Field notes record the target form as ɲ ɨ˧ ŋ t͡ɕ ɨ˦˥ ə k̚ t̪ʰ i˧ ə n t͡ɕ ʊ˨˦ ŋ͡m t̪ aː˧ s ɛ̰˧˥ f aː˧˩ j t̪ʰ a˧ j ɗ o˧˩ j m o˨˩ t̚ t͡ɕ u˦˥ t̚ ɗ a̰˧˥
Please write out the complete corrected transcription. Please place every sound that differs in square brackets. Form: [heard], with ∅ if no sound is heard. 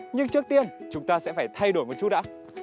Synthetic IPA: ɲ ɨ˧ ŋ t͡ɕ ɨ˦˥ ə k̚ [t̪] i˧ ə n t͡ɕ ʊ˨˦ ŋ͡m t̪ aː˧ s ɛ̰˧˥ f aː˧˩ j t̪ʰ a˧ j ɗ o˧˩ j m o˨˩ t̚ t͡ɕ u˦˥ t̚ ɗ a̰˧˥